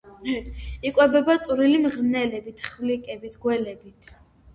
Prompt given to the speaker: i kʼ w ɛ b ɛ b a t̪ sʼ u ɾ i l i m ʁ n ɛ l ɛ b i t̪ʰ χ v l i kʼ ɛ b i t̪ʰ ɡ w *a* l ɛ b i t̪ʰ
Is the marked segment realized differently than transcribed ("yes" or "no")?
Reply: yes